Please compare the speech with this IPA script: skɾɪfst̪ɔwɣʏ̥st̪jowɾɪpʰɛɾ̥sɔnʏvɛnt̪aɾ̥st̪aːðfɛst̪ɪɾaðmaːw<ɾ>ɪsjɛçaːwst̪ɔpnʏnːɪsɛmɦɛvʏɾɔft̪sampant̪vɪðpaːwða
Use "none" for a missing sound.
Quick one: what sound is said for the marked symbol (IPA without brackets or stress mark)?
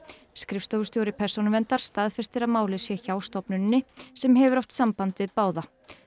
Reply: l